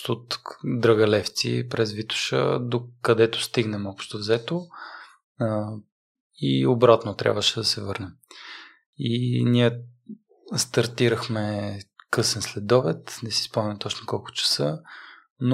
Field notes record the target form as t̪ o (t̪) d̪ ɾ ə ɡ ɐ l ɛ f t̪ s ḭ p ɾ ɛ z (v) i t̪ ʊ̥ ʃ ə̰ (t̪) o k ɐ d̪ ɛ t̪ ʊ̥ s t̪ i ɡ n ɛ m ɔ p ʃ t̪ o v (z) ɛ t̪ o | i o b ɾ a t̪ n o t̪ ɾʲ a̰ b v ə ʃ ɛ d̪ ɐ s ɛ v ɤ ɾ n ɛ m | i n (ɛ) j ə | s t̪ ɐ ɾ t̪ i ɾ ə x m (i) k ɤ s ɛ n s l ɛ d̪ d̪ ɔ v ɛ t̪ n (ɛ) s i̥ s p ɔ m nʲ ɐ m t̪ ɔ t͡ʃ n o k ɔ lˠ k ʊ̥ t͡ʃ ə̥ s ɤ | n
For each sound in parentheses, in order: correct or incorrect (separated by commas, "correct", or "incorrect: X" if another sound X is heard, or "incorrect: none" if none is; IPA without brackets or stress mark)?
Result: correct, correct, incorrect: d̪, correct, incorrect: i, incorrect: ɛ, correct